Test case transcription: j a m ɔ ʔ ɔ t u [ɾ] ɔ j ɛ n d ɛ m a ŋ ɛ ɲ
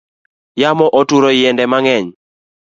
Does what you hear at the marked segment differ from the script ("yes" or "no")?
no